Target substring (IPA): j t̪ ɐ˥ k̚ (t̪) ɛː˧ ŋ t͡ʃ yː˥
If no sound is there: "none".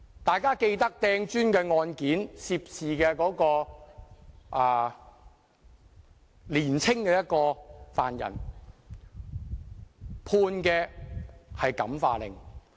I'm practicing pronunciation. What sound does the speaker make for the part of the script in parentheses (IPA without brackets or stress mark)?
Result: t̪